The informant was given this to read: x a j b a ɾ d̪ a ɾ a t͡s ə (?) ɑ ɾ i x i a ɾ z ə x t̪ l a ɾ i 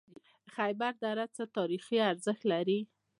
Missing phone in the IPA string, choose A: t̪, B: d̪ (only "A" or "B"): A